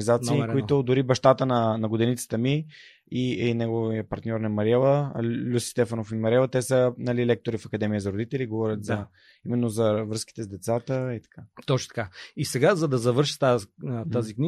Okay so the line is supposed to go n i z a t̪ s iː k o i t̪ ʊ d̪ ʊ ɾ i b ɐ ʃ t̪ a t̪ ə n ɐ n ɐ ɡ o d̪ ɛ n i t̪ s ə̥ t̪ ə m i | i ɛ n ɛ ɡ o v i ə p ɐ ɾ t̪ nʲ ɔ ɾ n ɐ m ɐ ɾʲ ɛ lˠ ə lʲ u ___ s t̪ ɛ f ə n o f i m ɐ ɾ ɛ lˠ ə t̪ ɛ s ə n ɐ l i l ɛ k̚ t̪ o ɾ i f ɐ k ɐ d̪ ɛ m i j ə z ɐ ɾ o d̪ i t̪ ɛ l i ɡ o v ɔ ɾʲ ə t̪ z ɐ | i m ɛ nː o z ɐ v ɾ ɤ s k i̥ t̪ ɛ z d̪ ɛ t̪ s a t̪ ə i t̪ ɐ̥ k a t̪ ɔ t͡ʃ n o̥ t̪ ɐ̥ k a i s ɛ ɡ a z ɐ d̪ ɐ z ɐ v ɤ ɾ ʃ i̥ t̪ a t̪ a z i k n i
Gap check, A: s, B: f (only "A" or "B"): A